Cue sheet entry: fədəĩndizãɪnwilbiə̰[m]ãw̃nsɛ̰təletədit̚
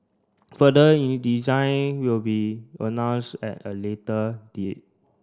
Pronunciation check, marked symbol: incorrect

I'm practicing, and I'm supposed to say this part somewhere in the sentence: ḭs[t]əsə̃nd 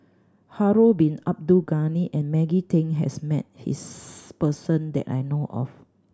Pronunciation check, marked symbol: incorrect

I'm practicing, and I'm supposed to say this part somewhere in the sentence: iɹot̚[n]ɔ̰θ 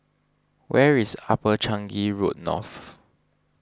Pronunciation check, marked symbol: correct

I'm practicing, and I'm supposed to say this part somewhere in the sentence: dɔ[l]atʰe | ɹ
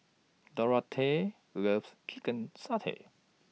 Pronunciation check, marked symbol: incorrect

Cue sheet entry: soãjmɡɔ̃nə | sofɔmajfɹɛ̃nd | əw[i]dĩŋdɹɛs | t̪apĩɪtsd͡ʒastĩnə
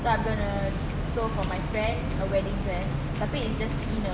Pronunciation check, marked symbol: incorrect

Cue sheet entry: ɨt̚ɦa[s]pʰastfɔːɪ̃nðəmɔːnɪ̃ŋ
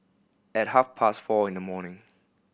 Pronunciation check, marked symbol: incorrect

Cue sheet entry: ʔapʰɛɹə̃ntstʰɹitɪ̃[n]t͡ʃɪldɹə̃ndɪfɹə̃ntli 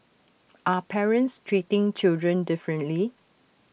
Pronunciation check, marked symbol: incorrect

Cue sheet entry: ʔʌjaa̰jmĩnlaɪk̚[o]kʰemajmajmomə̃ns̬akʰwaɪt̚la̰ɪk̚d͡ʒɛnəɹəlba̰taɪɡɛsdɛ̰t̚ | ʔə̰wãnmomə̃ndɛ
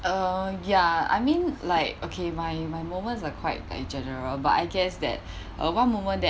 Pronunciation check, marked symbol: correct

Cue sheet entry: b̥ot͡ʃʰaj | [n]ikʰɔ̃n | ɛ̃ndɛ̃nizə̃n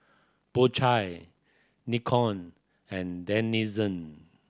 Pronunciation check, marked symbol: correct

